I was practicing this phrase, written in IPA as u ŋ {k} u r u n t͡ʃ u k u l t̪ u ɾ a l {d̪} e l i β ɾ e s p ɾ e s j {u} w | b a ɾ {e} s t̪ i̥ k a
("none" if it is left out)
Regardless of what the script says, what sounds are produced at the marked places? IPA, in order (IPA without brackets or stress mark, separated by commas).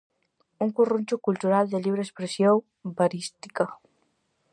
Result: k, d̪, o, i